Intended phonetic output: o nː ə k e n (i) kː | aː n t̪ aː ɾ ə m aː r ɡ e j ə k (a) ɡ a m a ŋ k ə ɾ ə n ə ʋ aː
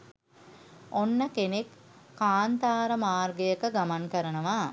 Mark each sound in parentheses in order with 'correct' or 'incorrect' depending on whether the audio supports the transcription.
incorrect: e, incorrect: ə

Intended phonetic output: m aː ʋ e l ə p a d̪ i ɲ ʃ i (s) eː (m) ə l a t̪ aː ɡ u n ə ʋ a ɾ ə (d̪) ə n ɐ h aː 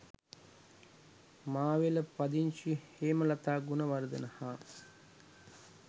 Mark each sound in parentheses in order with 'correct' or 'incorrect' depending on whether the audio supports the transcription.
incorrect: h, correct, correct

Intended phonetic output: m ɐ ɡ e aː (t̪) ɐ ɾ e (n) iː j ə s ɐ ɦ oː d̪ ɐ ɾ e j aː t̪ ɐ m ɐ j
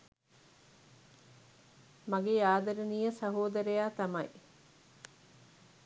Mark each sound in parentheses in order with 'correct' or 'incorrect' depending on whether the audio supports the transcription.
incorrect: d̪, correct

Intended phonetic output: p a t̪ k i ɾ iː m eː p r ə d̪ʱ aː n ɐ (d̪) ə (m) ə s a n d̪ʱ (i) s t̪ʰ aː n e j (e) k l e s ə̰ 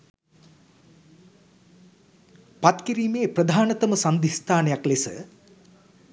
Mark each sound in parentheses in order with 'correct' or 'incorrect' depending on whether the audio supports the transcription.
incorrect: t̪, correct, correct, incorrect: a

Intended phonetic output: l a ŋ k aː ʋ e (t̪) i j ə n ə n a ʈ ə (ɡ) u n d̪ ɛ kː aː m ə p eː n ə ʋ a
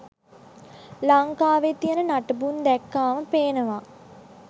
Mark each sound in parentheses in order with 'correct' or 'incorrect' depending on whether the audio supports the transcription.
correct, incorrect: b

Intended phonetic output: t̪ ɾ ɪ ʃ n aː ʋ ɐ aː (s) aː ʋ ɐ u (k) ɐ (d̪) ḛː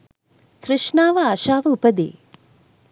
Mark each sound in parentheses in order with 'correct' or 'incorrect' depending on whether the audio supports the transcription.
incorrect: ʃ, incorrect: p, correct

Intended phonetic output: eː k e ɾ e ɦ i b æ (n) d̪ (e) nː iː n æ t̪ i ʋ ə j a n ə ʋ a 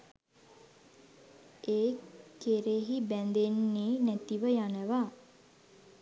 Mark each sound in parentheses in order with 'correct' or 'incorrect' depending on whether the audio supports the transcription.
correct, correct

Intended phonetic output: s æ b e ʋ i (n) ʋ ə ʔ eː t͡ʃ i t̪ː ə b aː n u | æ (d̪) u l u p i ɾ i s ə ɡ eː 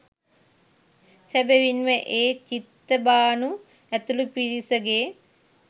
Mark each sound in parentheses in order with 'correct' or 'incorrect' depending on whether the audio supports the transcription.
correct, incorrect: t̪

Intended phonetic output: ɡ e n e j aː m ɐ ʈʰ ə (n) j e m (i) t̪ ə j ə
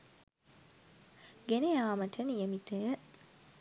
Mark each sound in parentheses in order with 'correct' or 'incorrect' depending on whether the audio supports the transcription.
correct, correct

